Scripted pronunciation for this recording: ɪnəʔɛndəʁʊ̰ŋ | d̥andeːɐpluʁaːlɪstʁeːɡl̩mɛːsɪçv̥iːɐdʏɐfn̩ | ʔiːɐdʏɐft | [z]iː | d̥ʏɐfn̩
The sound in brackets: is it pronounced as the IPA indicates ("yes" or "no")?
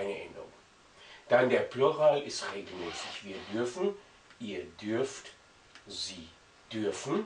yes